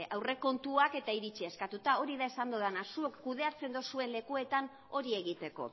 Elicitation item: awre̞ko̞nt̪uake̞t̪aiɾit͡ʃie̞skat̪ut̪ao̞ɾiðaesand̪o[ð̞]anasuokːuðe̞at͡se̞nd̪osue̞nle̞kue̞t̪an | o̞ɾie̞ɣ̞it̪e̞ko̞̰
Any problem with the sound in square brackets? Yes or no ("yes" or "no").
no